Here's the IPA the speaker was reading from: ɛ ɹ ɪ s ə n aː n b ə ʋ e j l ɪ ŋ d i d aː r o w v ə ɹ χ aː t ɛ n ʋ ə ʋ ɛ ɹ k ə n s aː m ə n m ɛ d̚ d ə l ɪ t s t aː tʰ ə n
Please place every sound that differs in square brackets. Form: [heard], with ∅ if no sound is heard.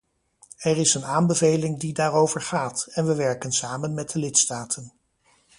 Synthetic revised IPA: ɛ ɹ ɪ s ə n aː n b ə [v] e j l ɪ ŋ d i d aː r o w v ə ɹ χ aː t ɛ n ʋ ə ʋ ɛ ɹ k ə n s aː m ə n m ɛ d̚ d ə l ɪ t s t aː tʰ ə n